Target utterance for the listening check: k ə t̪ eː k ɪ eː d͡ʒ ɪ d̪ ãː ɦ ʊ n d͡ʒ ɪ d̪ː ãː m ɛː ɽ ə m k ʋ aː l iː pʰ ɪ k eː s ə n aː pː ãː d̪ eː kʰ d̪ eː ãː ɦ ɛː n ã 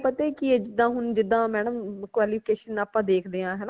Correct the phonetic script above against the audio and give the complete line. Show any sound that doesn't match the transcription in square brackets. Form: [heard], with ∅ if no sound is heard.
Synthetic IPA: [p] ə t̪ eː k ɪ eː d͡ʒ ɪ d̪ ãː ɦ ʊ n d͡ʒ ɪ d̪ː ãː m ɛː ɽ ə m k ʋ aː l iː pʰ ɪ k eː [ʃ] ə n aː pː ãː d̪ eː kʰ d̪ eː ãː ɦ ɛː n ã